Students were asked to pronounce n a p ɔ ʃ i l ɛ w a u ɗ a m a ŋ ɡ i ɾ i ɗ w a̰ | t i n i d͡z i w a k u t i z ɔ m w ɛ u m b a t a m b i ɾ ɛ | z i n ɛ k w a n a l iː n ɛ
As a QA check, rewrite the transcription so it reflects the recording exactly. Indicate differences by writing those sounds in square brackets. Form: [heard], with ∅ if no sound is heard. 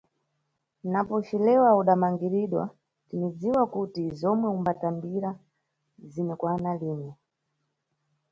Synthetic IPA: n a p ɔ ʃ i l ɛ w a u ɗ a m a ŋ ɡ i ɾ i ɗ w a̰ | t i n i d͡z i w a k u t i z ɔ m w ɛ u m b a t a m b i ɾ [a] | z i n ɛ k w a n a l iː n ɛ